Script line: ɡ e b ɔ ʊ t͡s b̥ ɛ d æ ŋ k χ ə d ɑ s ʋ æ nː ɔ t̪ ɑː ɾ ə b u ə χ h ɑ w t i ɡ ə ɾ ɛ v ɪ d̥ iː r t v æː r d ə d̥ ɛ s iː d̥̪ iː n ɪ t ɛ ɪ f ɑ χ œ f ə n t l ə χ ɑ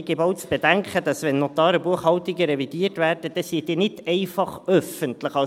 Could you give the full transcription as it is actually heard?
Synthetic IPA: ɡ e b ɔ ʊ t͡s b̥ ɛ d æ ŋ k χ ə d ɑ s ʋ ɛ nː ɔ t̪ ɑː ɾ ə b u ə χ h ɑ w t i ɡ ə ɾ ɛ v i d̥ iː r t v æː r d ə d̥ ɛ s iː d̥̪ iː n ɪ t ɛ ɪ f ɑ χ œ f ə n t l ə χ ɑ

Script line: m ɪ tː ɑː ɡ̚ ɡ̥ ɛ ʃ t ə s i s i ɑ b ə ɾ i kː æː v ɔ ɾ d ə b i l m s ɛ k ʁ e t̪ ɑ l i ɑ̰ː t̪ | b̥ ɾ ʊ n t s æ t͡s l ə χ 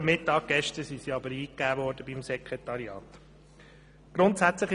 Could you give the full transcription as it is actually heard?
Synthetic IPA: m ɪ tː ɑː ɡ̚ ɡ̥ ɛ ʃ t ə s i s i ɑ b ə ɾ iː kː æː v ɔ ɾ d ə b i m s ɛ k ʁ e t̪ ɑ ɾ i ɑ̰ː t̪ | ɡ̥ ɾ ʊ n t s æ t͡s l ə χ

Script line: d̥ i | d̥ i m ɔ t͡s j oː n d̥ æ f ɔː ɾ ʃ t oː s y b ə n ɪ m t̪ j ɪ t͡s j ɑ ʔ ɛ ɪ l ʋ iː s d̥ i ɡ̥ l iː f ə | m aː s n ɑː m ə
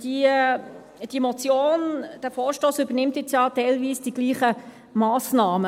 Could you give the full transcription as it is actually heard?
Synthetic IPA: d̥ i | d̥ i m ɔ t͡s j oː n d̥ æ f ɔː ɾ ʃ t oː s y b ə n ɪ m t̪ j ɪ t͡s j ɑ t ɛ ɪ l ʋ iː s d̥ i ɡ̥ l iː χ ə | m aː s n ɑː m ə

